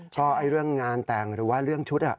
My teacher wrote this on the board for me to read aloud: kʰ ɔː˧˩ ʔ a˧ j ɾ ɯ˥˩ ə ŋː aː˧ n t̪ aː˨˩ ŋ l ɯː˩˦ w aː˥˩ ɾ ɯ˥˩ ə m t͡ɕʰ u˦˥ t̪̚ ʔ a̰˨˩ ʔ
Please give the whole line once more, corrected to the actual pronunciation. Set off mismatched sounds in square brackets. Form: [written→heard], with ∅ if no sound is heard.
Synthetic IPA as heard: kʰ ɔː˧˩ ʔ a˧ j ɾ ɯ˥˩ ə ŋː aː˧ n t̪ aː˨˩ ŋ [l→ɾ] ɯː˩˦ w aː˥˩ ɾ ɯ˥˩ ə [m→ŋ] t͡ɕʰ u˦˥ t̪̚ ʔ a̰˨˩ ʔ